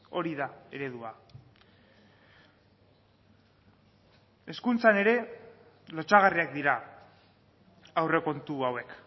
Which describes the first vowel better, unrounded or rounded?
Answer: rounded